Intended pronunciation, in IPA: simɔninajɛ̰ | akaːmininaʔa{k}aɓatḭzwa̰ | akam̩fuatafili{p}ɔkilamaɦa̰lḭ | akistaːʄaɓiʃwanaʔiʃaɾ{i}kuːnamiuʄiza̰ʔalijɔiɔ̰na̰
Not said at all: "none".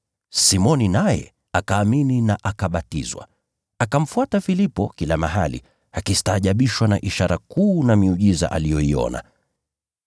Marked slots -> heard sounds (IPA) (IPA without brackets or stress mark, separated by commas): k, p, a